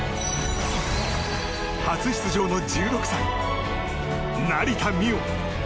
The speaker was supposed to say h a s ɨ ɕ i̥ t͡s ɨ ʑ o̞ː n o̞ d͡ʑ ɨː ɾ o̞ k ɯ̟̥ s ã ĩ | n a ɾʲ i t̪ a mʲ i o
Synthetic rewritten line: h a t͡s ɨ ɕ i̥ t͡s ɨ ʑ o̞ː n o̞ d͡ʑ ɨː ɾ o̞ k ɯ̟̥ s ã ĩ | n a ɾʲ i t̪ a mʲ i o